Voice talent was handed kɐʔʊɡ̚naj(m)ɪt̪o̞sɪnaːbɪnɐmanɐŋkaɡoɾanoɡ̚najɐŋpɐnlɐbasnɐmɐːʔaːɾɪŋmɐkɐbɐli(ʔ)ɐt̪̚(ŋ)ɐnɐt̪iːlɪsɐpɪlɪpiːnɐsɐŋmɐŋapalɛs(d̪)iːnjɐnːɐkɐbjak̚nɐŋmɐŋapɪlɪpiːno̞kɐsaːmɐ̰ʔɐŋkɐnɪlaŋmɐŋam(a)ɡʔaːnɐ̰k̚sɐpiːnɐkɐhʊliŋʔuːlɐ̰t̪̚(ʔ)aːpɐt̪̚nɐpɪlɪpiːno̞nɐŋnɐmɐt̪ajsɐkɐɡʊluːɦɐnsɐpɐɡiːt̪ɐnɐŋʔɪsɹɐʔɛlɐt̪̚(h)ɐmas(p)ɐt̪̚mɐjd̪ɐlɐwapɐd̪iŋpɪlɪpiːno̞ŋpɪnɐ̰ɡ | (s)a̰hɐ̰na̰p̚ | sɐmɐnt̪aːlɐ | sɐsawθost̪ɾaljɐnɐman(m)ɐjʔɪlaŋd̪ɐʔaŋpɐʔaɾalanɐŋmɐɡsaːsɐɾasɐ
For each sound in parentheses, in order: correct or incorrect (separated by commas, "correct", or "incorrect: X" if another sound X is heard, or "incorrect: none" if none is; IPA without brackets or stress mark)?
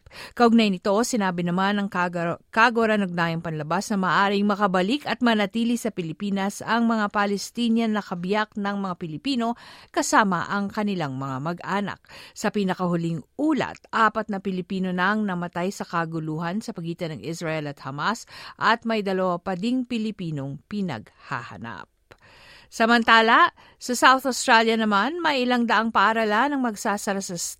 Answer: incorrect: n, incorrect: k, incorrect: m, incorrect: t̪, incorrect: ɐ, correct, correct, incorrect: ʔ, incorrect: h, correct